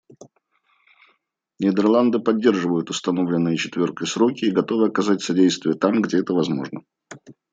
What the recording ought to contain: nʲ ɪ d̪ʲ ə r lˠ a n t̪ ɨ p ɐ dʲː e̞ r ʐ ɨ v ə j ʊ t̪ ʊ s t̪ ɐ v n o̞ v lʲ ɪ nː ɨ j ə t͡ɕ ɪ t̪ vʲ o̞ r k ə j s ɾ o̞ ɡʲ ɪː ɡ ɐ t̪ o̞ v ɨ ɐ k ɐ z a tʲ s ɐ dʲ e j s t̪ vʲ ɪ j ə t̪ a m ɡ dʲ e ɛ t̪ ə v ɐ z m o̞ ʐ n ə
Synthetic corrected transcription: nʲ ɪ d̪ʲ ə r lˠ a n d̪ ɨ p ɐ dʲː e̞ r ʐ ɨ v ə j ʊ t̪ ʊ s t̪ ɐ n o̞ v lʲ ɪ nː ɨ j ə t͡ɕ ɪ t̪ vʲ o̞ r k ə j s ɾ o̞ kʲ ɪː ɡ ɐ t̪ o̞ v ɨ ɐ k ɐ z a tʲ s ɐ dʲ e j s t̪ vʲ ɪ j ə t̪ a m ɡ dʲ e ɛ t̪ ə v ɐ z m o̞ ʐ n ə